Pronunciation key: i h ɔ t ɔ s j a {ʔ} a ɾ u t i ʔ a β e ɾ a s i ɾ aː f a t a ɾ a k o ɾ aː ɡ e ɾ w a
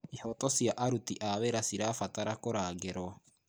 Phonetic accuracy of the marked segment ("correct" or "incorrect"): correct